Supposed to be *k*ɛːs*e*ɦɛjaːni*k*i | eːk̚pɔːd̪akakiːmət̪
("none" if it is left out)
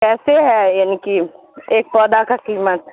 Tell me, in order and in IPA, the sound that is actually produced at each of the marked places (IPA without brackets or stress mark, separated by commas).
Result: k, e, k